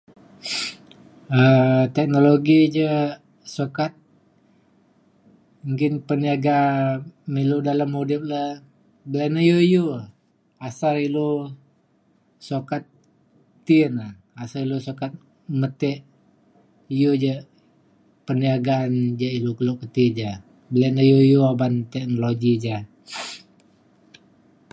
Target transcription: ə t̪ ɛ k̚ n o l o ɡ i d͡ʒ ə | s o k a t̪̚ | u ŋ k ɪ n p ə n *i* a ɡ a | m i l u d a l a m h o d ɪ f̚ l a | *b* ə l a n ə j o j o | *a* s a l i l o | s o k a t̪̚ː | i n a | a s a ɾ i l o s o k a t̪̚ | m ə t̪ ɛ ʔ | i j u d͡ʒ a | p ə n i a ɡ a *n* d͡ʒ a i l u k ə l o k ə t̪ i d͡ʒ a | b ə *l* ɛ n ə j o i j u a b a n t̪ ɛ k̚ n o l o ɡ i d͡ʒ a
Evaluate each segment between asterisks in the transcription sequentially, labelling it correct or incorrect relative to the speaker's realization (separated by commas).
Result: correct, correct, correct, correct, correct